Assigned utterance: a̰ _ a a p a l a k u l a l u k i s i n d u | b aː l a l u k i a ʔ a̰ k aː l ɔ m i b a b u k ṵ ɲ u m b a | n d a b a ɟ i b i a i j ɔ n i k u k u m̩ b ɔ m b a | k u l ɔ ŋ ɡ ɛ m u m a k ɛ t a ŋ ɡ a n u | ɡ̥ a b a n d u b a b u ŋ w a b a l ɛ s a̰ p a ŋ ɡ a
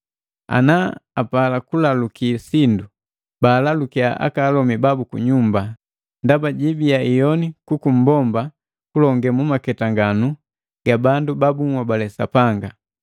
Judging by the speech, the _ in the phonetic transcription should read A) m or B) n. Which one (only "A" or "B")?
B